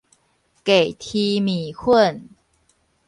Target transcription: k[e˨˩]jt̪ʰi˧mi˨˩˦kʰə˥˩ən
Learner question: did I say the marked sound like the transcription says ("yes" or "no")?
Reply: yes